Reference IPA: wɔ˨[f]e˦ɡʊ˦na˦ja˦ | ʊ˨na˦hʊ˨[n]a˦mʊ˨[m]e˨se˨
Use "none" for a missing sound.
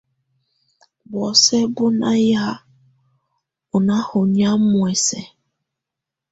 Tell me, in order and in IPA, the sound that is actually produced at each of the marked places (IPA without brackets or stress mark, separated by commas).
s, ɲ, none